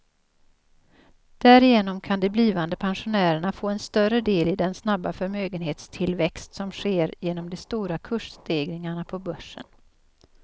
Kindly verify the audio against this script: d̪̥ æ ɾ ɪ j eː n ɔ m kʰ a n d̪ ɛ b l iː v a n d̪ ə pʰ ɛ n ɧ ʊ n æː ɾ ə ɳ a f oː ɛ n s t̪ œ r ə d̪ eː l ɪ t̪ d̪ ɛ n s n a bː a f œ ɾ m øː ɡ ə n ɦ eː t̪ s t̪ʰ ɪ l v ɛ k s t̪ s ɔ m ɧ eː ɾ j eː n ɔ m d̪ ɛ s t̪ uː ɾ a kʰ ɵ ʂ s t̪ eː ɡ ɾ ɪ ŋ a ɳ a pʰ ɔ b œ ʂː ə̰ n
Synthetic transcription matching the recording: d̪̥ æ ɾ ɪ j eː n ɔ m kʰ a n d̪ ɛ b l iː v a n d̪ ə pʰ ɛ n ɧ ʊ n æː ɾ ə ɳ a f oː ɛ n s t̪ œ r ə d̪ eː l ɪ d̪ ɛ n s n a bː a f œ ɾ m øː ɡ ə n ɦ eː t̪ s t̪ʰ ɪ l v ɛ k s t̪ s ɔ m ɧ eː ɾ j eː n ɔ m d̪ ɛ s t̪ uː ɾ a kʰ ɵ ʂ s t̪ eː ɡ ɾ ɪ ŋ a ɳ a pʰ ɔ b œ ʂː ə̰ n